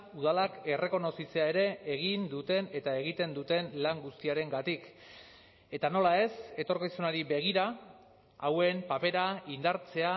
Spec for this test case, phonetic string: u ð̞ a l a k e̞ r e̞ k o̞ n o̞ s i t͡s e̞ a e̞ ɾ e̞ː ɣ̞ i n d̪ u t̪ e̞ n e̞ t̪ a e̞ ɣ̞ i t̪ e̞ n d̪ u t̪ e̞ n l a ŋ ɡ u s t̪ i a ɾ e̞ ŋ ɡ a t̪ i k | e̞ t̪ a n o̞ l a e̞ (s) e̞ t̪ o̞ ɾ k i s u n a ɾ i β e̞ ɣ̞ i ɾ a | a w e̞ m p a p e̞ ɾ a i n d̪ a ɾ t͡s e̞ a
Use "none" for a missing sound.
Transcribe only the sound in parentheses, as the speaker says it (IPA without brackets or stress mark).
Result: s